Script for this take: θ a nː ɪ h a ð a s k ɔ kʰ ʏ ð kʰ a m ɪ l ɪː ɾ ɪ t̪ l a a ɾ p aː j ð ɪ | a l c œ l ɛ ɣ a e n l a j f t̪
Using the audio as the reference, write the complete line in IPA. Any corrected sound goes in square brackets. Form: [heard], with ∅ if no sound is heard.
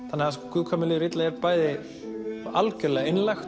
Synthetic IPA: θ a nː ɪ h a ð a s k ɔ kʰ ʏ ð kʰ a m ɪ l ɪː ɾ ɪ t̪ l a [ɛ] ɾ p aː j ð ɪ | a l c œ l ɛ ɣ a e n l a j [x] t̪